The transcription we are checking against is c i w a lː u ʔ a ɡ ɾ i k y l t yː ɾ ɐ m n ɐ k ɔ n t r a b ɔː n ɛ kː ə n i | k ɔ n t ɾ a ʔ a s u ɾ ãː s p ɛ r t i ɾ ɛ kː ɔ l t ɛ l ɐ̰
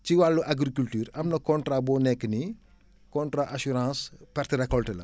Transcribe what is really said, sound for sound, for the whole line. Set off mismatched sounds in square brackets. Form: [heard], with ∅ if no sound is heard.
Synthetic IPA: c i w a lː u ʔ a ɡ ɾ i k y l t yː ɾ ɐ m n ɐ k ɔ n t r a b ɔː n ɛ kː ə n i | k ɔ n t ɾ a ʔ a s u ɾ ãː s p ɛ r t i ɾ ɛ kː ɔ l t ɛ l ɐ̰